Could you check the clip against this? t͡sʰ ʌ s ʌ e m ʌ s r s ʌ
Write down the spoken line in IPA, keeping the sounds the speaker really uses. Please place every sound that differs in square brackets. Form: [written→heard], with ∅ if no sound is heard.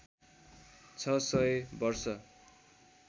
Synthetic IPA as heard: t͡sʰ ʌ s ʌ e [m→b] ʌ [s→∅] r s ʌ